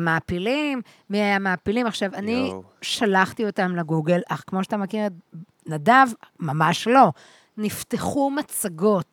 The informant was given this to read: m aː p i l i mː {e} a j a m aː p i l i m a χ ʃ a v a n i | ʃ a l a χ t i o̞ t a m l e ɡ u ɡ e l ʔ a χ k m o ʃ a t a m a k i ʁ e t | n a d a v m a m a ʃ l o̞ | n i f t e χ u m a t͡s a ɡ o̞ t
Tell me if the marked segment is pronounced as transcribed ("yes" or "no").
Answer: no